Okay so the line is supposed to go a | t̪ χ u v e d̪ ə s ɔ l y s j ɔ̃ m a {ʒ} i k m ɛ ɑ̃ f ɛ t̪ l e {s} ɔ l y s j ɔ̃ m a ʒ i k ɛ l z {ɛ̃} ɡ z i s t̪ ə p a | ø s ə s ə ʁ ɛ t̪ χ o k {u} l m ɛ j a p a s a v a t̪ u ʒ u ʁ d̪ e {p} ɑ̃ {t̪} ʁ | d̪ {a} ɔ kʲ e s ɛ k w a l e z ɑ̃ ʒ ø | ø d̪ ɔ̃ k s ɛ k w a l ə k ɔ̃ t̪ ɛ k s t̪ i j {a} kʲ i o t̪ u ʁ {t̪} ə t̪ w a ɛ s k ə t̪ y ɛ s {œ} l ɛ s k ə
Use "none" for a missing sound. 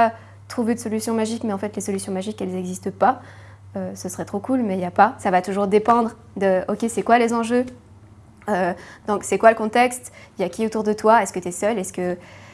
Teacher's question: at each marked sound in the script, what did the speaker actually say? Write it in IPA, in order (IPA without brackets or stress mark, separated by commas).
ʒ, s, ɛ, u, p, d̪, ə, a, d̪, œ